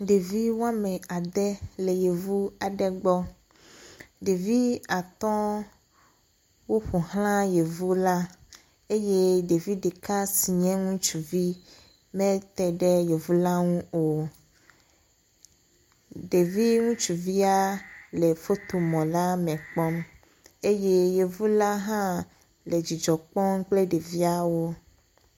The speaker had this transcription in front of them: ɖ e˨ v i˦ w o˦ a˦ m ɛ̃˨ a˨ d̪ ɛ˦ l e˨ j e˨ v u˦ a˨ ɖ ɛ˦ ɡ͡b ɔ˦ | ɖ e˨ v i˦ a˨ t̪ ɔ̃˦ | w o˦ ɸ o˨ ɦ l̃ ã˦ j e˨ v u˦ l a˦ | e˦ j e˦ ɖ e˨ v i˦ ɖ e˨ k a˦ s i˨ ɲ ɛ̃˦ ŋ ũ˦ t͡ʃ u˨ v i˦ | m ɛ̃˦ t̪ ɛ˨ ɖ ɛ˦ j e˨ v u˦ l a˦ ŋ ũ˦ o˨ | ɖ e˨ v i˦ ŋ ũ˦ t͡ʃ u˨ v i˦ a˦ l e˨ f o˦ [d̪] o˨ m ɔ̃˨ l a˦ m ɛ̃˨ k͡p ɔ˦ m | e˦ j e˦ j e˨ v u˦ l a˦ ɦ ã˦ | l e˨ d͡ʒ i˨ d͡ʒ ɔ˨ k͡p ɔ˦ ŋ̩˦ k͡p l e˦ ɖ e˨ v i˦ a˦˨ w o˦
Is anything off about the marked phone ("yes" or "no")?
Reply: yes